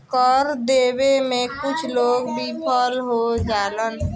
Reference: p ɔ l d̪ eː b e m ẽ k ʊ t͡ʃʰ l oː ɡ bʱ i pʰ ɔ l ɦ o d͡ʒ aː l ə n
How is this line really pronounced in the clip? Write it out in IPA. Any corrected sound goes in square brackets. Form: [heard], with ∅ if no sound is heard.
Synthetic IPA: [k] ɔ [ɾ] d̪ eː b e m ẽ k ʊ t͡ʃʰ l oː ɡ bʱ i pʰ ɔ l ɦ o d͡ʒ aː l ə n